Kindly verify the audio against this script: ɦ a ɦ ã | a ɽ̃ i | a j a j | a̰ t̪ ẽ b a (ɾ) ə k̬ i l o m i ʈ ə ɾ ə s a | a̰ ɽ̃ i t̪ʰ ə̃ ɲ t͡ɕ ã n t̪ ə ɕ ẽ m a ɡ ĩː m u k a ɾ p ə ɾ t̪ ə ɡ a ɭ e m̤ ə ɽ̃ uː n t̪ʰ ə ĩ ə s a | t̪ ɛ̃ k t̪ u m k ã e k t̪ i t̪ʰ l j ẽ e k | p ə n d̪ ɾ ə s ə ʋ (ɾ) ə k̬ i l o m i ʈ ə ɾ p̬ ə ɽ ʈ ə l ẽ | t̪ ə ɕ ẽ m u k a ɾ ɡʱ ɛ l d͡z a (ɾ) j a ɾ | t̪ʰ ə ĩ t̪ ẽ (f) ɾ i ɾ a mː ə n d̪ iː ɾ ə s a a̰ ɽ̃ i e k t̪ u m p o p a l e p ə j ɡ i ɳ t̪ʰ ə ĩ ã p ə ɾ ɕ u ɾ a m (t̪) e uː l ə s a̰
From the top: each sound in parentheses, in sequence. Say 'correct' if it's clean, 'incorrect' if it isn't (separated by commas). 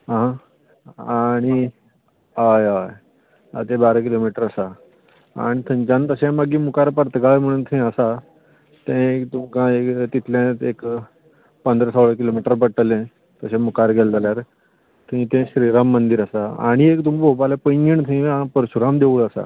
correct, incorrect, incorrect, incorrect, incorrect